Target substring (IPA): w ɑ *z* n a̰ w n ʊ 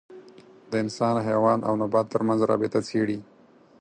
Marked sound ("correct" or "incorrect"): incorrect